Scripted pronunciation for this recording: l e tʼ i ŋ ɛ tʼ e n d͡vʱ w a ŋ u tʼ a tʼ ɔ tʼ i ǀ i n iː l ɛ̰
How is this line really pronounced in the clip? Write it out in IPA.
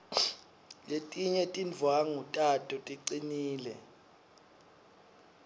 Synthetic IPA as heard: l e tʼ i ɲ ɛ tʼ i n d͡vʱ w a ŋ u tʼ a tʼ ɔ tʼ i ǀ i n iː l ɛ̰